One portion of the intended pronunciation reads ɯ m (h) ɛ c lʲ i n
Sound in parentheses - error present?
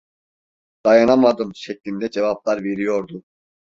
yes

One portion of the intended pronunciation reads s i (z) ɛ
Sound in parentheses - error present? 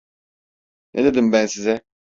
no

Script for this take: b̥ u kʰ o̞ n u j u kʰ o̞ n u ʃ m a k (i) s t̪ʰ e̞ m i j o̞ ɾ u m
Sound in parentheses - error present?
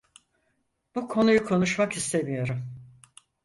no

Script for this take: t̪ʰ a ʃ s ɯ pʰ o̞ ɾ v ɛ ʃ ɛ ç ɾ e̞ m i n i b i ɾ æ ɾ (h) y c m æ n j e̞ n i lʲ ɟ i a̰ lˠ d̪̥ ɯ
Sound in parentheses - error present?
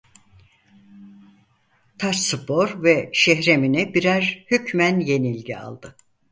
no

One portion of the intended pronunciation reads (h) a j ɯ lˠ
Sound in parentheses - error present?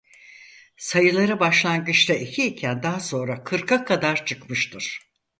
yes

